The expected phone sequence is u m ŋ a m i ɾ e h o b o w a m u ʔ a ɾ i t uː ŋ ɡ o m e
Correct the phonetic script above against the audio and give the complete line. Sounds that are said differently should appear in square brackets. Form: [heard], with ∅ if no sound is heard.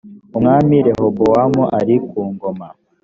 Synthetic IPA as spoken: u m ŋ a m i ɾ e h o b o w a m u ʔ a ɾ i [k] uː ŋ ɡ o m [a]